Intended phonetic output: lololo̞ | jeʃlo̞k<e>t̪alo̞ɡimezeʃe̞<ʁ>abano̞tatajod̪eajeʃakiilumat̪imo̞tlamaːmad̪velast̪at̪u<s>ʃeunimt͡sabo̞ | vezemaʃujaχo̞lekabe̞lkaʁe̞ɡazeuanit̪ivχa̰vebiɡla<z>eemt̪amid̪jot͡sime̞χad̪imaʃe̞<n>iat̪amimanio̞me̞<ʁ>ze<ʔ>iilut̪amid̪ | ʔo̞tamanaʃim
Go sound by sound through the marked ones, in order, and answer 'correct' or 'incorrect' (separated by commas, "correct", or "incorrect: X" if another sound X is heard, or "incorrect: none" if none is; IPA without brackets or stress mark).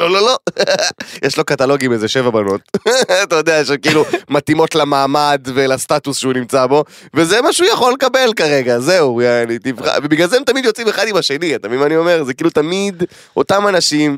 incorrect: a, incorrect: v, correct, correct, correct, correct, incorrect: k